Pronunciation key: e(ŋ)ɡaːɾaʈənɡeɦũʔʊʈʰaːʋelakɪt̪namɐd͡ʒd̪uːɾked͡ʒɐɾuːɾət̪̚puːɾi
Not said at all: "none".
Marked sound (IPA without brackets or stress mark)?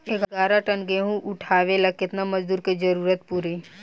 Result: ɡ